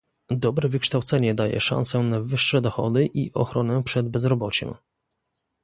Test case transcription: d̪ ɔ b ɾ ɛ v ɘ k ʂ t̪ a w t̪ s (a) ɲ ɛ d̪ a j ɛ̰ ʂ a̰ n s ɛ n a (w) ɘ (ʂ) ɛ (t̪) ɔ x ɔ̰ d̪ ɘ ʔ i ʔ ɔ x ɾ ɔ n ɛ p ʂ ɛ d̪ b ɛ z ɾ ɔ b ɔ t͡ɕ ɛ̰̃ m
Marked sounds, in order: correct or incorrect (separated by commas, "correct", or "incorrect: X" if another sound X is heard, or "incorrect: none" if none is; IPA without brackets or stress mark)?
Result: incorrect: ɛ, incorrect: v, incorrect: ʂː, incorrect: d̪